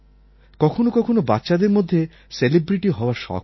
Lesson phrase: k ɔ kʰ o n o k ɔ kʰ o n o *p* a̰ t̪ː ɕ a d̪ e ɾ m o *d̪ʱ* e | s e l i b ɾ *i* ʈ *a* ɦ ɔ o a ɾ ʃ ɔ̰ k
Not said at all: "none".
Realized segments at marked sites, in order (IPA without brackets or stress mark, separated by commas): b, d̪ʱː, i, i